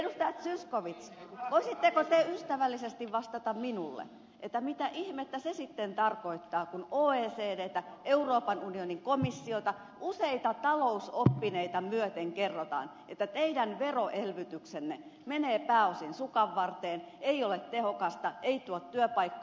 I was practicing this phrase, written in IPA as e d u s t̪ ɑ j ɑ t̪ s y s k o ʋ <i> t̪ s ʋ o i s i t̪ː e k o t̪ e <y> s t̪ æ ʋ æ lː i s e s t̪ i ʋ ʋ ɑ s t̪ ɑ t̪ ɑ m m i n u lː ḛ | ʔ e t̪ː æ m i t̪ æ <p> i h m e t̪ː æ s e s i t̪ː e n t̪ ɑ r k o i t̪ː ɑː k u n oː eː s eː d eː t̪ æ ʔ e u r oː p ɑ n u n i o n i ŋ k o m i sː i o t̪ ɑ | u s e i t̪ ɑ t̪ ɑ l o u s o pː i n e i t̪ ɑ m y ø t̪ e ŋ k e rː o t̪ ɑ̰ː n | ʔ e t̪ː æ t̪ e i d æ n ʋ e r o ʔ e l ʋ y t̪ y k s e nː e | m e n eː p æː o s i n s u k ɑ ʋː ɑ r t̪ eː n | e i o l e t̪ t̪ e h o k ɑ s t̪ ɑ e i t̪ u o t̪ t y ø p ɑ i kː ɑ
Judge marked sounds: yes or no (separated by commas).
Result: yes, yes, no